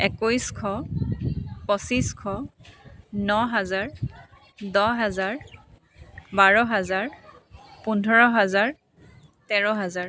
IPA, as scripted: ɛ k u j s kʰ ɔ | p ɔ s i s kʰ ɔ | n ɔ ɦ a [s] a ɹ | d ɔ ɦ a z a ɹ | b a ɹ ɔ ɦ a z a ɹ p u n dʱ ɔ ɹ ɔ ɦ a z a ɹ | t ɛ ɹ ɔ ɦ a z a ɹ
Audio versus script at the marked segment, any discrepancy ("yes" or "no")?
yes